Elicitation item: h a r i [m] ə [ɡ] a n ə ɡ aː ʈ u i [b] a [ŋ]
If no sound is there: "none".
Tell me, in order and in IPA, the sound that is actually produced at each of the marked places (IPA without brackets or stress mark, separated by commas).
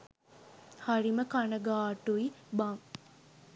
m, k, b, ŋ